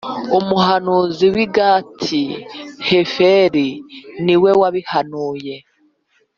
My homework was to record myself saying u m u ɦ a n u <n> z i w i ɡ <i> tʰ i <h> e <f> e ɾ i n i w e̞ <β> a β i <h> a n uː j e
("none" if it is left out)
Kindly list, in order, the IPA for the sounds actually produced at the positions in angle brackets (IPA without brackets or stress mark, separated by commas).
none, a, h, f, w, h